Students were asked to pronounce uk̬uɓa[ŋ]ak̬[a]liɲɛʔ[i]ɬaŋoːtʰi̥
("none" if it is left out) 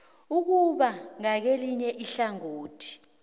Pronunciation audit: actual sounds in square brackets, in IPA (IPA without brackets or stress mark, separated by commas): ŋ, e, i